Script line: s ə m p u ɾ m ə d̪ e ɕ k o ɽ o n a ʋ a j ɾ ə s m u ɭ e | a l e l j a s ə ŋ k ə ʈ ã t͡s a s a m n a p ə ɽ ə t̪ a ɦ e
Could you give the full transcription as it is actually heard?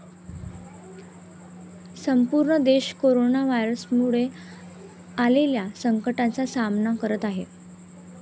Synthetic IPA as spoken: s ə m p u ɾ ɳ ə d̪ e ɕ k o ɾ o n a ʋ a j ɾ ə s m u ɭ e | a l e l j a s ə ŋ k ə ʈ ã t͡s a s a m n a k ə ɾ ə t̪ a ɦ e